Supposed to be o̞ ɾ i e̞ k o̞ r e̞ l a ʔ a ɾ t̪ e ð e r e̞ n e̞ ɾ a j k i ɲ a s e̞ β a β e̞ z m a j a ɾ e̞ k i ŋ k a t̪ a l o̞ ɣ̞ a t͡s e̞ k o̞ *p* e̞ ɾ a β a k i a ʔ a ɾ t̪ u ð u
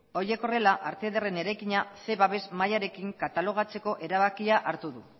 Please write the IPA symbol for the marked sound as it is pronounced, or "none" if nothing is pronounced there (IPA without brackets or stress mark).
ʔ